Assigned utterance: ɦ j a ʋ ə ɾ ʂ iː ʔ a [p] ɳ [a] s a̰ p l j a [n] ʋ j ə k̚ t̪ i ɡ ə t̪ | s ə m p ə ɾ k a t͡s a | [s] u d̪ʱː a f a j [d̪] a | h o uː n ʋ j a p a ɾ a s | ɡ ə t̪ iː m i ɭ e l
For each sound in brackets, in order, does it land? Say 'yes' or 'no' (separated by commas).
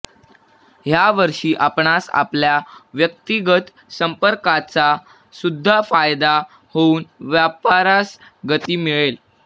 yes, yes, no, yes, yes